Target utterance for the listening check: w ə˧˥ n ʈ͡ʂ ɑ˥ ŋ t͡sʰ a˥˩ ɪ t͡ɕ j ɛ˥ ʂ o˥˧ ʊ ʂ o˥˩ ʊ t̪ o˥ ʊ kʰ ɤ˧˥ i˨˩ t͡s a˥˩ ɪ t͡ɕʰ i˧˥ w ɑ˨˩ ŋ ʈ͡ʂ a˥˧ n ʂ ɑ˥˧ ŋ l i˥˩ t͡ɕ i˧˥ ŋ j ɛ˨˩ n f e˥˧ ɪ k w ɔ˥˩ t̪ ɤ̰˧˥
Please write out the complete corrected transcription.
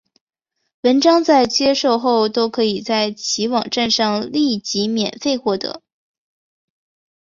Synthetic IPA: w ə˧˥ n ʈ͡ʂ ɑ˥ ŋ t͡s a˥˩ ɪ t͡ɕ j ɛ˥ ʂ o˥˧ ʊ x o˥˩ ʊ t̪ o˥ ʊ kʰ ɤ˧˥ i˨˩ t͡s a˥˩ ɪ t͡ɕʰ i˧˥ w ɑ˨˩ ŋ ʈ͡ʂ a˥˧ n ʂ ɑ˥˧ ŋ l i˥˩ t͡ɕ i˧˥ m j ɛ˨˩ n f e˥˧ ɪ x w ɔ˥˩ t̪ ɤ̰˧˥